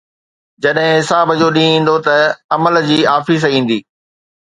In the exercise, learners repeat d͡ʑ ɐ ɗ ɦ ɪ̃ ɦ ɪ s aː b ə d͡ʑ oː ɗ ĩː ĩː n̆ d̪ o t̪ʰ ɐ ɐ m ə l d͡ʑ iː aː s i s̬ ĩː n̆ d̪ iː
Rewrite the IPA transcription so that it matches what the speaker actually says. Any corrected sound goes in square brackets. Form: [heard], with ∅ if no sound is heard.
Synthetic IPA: d͡ʑ ɐ ɗ ɦ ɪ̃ ɦ ɪ s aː b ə d͡ʑ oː ɗ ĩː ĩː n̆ d̪ o [t̪] ɐ ɐ m ə l d͡ʑ iː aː [f] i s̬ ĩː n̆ d̪ iː